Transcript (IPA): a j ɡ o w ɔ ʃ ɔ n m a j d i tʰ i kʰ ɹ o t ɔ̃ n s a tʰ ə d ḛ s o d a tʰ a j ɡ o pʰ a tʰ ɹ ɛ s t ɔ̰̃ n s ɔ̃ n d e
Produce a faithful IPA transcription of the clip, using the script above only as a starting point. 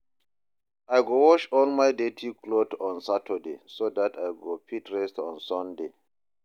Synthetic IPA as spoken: a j ɡ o w ɔ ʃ ɔ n m a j d e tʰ i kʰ l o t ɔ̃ n s a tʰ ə d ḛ s o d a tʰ a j ɡ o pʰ i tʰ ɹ ɛ s t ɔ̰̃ n s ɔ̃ n d e